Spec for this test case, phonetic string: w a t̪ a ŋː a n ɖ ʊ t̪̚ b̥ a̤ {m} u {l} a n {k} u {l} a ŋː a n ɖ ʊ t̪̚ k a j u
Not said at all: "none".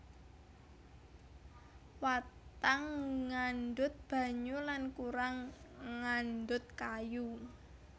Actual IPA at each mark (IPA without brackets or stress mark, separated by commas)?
ɲ, l, k, ɾ